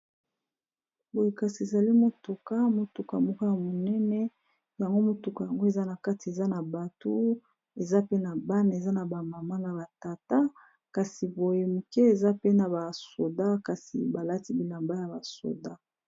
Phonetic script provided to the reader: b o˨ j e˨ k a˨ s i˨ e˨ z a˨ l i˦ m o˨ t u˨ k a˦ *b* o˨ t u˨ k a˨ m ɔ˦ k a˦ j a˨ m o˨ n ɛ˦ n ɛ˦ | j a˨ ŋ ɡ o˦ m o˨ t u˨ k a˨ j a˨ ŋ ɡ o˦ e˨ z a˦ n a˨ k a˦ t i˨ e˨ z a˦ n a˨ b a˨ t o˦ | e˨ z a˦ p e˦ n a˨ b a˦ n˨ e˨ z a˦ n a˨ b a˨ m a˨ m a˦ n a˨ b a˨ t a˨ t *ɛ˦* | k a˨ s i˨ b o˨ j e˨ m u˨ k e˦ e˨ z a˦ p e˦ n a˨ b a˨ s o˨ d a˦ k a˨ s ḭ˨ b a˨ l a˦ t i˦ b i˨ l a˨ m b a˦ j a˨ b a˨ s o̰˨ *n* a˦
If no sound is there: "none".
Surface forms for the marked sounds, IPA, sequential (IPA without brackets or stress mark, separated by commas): m, a˦, d